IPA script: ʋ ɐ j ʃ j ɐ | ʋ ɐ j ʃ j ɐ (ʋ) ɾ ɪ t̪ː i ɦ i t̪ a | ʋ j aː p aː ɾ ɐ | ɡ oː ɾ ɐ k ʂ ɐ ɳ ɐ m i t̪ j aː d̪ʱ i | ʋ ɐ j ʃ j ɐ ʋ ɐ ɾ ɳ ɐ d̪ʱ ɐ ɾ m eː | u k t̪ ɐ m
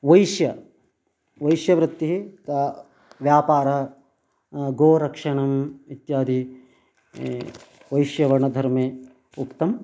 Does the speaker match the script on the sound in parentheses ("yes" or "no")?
yes